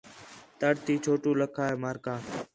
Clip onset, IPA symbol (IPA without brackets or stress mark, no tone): t̪